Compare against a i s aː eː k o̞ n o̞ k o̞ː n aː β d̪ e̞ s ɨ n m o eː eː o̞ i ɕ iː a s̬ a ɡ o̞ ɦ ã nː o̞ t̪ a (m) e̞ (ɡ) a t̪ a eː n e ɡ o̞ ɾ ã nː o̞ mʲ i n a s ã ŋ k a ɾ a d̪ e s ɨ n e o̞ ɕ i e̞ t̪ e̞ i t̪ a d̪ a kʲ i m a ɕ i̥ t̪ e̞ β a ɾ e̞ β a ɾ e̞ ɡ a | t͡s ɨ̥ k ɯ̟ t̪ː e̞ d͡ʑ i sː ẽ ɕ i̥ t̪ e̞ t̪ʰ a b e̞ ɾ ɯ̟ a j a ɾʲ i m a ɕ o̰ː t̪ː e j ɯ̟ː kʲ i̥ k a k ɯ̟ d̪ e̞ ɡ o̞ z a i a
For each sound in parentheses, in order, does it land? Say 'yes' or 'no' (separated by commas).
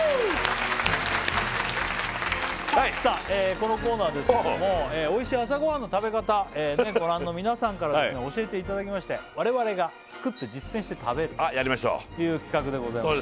no, no